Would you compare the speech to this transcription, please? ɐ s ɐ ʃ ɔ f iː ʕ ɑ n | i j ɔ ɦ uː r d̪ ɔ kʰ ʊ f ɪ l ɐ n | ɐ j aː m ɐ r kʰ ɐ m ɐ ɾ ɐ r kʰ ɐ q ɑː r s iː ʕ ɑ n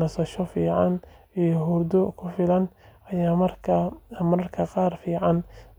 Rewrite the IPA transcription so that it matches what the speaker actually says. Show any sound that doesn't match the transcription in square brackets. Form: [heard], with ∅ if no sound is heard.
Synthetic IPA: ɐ s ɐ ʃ ɔ f iː ʕ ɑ n | i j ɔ ɦ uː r d̪ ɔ kʰ ʊ f ɪ l ɐ n | ɐ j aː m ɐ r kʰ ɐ m ɐ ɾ ɐ r kʰ ɐ q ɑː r [f] iː ʕ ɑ n

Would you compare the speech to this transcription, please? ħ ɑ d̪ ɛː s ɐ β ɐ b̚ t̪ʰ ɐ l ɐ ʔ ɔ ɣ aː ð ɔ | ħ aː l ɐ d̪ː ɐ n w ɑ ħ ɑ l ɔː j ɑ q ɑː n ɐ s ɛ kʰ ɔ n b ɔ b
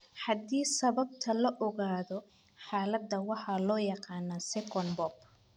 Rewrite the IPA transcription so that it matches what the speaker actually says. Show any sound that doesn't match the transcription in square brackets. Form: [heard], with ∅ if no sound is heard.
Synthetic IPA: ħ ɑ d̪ [iː] s ɐ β ɐ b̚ t̪ʰ ɐ l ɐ ʔ ɔ ɣ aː ð ɔ | ħ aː l ɐ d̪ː ɐ [∅] w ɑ ħ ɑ l ɔː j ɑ q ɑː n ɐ s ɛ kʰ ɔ n b ɔ b

